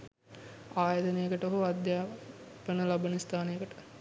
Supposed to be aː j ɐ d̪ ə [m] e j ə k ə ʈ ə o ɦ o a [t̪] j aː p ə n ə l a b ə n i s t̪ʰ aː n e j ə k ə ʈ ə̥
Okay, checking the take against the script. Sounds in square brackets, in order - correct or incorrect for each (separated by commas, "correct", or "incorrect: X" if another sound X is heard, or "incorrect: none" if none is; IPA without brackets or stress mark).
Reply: incorrect: n, incorrect: d̪